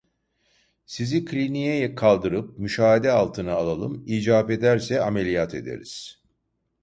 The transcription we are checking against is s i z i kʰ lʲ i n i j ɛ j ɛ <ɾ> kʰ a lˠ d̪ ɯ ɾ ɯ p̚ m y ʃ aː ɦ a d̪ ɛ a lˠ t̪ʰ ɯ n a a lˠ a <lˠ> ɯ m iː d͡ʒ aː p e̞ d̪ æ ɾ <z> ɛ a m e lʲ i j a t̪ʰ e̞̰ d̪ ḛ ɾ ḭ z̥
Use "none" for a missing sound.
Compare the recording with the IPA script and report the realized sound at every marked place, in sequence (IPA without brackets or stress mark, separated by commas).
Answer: none, lˠ, s